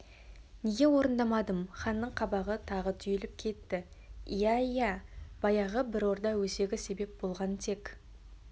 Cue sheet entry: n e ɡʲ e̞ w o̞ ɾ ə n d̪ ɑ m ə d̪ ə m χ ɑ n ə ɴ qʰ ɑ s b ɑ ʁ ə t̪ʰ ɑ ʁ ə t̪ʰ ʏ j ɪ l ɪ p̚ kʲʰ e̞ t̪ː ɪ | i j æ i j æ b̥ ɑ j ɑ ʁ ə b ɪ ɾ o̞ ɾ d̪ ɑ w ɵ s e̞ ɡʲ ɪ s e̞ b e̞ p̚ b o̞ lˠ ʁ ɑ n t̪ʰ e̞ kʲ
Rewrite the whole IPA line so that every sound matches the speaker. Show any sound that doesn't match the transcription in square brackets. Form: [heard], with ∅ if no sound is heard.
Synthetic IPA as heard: n e ɡʲ e̞ w o̞ ɾ ə n d̪ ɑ m [ɑ] d̪ ə m χ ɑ [nː] ə ɴ qʰ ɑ [∅] b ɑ ʁ ə t̪ʰ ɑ ʁ ə t̪ʰ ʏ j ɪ l ɪ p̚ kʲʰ e̞ t̪ː ɪ | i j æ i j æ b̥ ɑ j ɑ ʁ ə b ɪ ɾ o̞ ɾ d̪ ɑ w ɵ s e̞ ɡʲ ɪ s e̞ b e̞ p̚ b o̞ lˠ ʁ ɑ n t̪ʰ e̞ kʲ